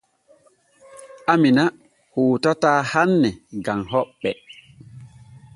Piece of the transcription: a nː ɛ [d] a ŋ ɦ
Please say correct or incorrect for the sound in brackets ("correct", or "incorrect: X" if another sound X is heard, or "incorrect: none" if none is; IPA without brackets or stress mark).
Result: incorrect: ɡ